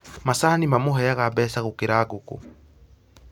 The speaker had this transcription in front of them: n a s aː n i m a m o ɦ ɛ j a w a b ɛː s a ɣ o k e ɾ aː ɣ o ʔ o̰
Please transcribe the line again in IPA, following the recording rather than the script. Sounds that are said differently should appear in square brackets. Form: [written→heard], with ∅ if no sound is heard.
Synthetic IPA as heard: [n→m] a s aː n i m a m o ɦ ɛ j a [w→ɣ] a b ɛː s a ɣ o k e ɾ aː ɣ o [ʔ→k] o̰